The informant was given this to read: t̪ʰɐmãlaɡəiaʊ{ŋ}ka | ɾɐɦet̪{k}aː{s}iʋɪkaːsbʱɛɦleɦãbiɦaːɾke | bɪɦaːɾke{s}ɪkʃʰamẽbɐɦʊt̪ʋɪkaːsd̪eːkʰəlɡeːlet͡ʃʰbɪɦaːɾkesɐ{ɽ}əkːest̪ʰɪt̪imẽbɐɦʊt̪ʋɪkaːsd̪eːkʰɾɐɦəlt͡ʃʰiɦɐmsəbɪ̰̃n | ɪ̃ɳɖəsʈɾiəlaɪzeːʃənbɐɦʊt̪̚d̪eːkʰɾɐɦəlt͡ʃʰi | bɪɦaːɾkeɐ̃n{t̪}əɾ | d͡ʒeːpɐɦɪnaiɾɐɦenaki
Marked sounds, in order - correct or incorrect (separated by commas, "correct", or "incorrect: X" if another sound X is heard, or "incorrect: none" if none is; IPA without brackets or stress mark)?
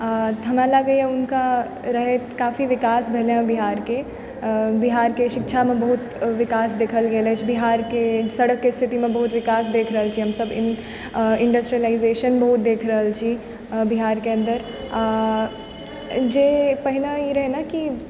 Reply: incorrect: n, correct, incorrect: f, incorrect: ʃ, correct, incorrect: d̪